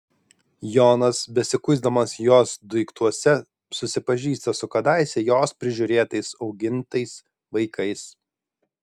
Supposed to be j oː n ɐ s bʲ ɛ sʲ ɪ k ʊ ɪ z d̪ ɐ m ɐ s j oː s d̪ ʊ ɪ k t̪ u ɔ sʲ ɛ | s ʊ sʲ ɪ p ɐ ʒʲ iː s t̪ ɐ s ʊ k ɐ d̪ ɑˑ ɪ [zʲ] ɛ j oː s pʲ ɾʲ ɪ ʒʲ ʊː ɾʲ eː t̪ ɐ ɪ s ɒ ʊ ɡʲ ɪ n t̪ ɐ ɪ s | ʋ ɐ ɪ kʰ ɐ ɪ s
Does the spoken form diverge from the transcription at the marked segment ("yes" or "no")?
yes